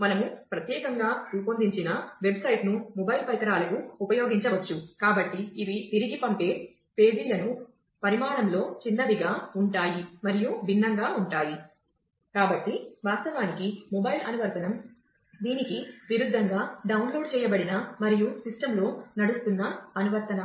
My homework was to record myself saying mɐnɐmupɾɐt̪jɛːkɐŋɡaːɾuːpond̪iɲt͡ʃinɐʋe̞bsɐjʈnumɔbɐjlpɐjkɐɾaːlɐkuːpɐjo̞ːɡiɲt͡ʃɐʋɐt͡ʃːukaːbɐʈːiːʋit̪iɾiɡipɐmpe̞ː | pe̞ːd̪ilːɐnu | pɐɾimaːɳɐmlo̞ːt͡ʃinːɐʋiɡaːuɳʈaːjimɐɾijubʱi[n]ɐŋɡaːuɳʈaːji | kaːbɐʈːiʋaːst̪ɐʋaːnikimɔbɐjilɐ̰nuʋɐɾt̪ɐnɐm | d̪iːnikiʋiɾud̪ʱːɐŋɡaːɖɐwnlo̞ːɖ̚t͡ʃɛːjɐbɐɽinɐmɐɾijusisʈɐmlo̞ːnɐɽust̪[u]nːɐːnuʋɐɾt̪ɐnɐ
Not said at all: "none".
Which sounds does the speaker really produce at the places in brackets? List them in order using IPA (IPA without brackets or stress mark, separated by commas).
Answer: nː, u